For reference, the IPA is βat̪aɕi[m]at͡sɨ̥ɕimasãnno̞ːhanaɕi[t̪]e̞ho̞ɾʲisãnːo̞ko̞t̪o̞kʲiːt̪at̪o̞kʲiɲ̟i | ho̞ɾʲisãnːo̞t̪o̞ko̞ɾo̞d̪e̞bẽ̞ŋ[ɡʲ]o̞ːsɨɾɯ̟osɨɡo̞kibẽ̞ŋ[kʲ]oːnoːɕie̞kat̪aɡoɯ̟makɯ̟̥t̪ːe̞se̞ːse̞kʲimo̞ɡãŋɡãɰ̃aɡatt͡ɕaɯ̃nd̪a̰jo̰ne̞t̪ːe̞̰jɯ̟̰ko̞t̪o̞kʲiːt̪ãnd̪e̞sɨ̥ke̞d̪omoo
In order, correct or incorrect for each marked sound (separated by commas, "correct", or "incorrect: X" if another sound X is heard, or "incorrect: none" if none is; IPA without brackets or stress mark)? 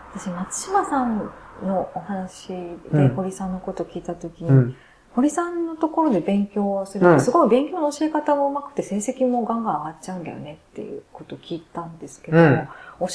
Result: correct, incorrect: d̪, incorrect: kʲ, correct